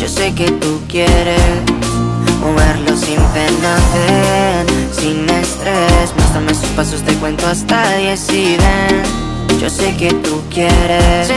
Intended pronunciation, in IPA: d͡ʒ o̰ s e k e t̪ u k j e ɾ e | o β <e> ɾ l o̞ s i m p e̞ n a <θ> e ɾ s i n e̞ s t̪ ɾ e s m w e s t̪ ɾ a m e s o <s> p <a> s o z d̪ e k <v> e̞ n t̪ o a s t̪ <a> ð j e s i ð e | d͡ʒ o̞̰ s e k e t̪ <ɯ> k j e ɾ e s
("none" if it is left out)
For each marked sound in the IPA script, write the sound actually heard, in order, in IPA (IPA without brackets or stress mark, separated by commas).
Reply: e, θ, s, a, w, a, u